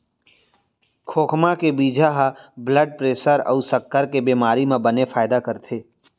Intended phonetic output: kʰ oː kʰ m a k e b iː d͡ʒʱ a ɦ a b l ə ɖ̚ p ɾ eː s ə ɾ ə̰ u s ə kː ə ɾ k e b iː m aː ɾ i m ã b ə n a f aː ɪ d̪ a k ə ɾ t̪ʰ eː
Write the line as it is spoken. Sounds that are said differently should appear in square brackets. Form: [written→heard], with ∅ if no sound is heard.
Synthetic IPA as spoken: kʰ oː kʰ m a k e b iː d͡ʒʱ a ɦ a b l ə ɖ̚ p ɾ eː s ə ɾ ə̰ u s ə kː ə ɾ k e b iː m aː ɾ i m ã b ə n [a→e] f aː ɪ d̪ a k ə ɾ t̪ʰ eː